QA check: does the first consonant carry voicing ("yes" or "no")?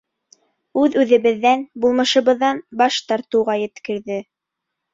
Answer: yes